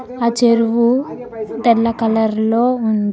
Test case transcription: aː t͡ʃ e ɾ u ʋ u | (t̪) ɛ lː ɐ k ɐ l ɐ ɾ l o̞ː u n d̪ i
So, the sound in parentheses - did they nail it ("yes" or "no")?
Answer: no